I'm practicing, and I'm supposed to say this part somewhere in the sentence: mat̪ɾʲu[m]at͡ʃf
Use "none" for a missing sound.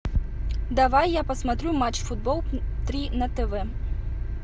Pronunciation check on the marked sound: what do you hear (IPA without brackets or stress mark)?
m